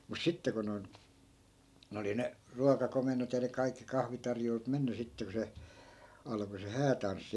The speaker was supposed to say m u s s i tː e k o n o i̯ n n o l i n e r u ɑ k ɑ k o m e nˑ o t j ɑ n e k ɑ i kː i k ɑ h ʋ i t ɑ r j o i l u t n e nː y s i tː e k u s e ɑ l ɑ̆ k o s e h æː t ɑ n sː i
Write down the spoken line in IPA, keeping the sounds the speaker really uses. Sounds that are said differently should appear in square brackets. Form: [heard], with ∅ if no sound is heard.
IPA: m u s s i tː e k o n o i̯ n n o l i n e r u ɑ k ɑ k o m e nˑ o t j ɑ n e k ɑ i kː i k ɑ h ʋ i t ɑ r j o i l u t [m] e nː y s i tː e k u s e ɑ l ɑ̆ k o s e h æː t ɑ n sː i